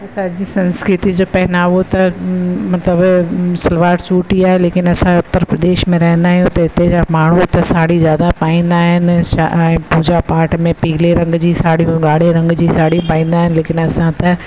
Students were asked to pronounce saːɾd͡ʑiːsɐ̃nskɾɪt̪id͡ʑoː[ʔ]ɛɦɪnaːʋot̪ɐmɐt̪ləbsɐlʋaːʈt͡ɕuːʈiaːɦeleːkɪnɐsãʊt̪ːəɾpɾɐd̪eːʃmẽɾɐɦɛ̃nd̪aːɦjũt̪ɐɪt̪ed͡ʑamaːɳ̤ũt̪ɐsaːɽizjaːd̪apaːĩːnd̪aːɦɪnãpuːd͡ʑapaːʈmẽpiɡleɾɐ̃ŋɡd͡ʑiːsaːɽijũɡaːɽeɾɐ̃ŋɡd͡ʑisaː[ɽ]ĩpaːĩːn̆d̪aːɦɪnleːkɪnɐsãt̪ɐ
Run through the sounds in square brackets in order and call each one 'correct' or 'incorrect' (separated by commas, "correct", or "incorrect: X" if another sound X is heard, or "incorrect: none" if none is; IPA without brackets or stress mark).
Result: incorrect: p, correct